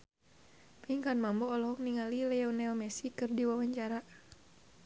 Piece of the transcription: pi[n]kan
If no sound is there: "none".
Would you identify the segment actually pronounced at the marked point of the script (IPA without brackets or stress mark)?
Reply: ŋ